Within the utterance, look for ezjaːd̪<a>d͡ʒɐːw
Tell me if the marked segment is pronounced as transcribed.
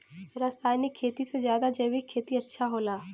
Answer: yes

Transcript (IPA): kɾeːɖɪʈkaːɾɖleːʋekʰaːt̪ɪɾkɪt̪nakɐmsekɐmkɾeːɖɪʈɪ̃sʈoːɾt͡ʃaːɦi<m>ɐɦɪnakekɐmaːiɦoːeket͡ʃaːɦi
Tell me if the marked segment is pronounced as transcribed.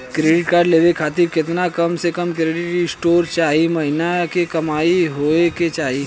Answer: yes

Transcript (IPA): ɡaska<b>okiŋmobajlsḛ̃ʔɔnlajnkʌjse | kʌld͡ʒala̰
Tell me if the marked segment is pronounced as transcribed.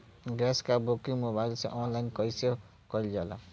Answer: yes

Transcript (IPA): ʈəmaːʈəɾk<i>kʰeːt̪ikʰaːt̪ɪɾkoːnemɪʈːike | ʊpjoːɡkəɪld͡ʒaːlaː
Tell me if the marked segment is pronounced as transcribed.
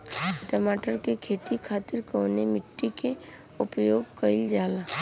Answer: no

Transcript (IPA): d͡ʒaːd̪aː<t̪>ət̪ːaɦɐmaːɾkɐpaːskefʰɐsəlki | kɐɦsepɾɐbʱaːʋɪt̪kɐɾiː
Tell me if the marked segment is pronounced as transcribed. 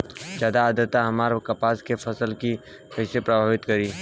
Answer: no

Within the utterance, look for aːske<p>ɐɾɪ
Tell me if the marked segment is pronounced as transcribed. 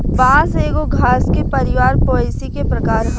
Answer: yes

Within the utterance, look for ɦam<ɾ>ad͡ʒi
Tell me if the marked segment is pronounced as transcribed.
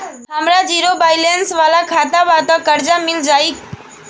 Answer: yes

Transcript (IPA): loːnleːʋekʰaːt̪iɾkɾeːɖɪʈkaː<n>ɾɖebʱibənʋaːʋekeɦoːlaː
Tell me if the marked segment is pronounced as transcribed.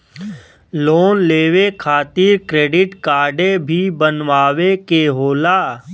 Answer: no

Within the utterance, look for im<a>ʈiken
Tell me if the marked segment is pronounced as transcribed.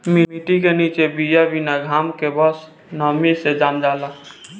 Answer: no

